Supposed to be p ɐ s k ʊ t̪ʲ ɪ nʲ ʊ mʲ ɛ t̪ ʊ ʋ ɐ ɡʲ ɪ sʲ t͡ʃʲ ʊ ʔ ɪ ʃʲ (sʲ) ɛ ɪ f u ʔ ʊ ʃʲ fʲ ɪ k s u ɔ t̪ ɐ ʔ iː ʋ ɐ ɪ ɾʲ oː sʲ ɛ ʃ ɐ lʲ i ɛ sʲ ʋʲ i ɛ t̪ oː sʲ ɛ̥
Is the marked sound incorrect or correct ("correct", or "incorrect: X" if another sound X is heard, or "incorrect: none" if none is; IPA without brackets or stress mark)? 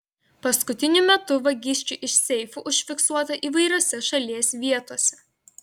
correct